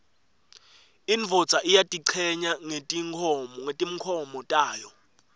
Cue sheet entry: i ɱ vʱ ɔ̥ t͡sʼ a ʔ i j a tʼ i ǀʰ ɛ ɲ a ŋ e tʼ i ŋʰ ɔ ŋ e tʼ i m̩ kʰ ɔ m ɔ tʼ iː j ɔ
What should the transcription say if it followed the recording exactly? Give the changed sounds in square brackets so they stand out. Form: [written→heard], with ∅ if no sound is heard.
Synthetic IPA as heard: i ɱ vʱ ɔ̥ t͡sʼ a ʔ i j a tʼ i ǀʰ ɛ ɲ a ŋ e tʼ i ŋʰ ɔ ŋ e tʼ i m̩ kʰ ɔ m ɔ tʼ [iː→aː] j ɔ